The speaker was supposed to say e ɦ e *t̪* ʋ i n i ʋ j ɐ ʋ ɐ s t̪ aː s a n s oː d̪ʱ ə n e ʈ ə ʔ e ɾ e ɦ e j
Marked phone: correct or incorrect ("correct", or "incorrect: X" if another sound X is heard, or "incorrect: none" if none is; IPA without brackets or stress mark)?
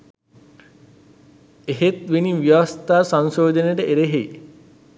correct